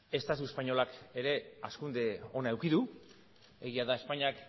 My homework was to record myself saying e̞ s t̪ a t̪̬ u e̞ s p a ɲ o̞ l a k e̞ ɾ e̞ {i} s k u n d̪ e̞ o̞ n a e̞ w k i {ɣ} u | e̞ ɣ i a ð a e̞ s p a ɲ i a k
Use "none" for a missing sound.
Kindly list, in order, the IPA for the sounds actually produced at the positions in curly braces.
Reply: a, ð

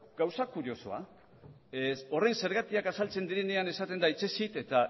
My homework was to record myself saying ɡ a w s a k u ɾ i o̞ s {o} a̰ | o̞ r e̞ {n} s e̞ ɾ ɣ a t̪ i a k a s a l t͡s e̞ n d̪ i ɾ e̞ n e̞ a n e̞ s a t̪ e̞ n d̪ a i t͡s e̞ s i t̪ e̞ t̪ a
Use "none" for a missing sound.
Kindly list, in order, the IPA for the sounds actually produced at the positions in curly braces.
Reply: o, n

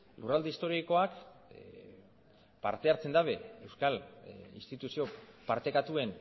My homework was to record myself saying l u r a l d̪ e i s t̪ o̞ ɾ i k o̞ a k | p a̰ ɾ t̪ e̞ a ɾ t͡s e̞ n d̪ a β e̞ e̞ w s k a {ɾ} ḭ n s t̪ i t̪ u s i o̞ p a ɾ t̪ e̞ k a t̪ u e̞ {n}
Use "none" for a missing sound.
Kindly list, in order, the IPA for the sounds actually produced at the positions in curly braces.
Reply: l, n

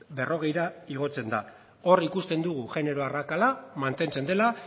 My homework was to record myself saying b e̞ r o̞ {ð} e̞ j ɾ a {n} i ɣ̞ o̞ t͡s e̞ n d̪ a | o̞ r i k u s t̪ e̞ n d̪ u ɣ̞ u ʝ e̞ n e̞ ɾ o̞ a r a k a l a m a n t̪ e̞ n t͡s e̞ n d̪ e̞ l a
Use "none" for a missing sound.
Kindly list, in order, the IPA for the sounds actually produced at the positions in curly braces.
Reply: ɣ, none

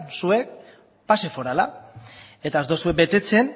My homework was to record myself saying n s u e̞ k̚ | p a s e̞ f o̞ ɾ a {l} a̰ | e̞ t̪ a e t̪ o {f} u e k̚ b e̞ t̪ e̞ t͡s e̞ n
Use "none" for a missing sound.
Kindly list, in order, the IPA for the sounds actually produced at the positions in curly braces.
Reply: l, s

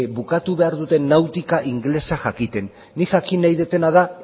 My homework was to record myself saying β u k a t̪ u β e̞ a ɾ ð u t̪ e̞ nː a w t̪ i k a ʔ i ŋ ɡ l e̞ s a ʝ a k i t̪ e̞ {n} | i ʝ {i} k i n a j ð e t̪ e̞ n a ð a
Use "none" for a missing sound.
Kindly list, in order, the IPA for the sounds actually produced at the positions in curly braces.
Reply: nː, a

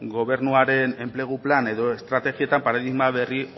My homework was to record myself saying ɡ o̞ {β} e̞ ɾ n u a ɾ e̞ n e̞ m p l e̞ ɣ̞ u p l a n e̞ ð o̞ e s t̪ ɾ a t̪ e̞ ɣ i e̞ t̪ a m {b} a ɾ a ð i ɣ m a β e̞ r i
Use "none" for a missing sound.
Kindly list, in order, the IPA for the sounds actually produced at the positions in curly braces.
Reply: β, p

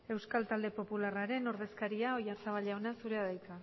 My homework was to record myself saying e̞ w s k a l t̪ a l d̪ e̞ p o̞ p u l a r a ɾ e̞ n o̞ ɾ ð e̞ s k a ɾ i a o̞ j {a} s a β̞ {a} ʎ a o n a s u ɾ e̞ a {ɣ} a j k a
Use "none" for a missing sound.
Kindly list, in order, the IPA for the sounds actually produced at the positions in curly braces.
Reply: a, a, ð

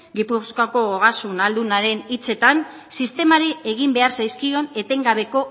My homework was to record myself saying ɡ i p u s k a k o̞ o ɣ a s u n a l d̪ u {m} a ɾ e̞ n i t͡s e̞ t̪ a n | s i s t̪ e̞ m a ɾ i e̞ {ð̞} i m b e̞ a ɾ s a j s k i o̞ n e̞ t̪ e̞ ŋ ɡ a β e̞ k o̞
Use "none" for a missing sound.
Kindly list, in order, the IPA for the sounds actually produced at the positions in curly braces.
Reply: n, ɣ̞

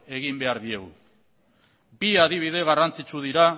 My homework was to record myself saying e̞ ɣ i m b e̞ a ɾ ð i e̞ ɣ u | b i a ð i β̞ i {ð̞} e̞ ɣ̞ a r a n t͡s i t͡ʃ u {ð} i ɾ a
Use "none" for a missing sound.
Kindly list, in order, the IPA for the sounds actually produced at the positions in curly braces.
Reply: ð̞, ð

